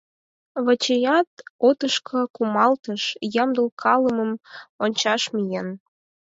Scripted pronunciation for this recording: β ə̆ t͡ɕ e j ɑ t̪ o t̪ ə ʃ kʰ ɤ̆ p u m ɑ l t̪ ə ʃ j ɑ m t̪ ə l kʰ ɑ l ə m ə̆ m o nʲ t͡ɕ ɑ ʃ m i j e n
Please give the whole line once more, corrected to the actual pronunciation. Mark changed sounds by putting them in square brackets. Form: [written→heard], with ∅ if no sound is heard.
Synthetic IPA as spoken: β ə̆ t͡ɕ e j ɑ t̪ o t̪ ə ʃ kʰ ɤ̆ [p→k] u m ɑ l t̪ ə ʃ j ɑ m [t̪→d̪] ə l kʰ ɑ l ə m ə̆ m o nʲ t͡ɕ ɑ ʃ m i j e n